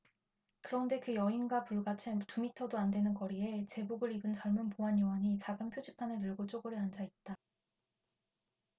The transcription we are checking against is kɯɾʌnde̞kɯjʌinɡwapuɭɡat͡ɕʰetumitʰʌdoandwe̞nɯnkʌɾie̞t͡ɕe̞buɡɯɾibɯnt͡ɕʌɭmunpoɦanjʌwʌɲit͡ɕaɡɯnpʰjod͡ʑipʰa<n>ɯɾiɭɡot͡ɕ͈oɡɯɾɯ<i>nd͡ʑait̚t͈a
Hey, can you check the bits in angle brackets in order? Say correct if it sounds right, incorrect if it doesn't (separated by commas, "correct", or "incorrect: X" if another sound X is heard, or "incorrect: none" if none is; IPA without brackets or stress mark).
correct, incorrect: a